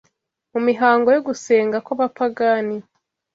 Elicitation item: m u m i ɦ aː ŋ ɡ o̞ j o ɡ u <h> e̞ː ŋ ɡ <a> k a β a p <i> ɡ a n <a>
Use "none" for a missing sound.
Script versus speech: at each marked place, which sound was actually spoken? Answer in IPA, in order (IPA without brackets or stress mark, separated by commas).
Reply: s, a, a, i